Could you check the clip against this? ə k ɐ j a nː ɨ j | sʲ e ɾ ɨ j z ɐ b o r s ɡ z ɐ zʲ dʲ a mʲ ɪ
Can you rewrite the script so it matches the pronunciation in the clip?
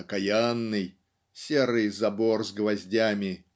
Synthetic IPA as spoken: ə k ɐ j a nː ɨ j | sʲ e ɾ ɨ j z ɐ b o r z ɡ v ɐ zʲ dʲ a mʲ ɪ